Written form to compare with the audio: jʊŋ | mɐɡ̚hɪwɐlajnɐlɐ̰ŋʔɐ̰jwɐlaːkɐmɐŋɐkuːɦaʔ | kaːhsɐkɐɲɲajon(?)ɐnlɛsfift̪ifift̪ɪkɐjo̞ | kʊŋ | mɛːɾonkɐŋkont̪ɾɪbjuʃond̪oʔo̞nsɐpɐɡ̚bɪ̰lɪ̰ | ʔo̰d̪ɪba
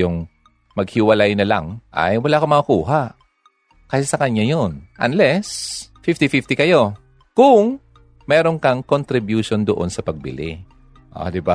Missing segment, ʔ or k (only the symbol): ʔ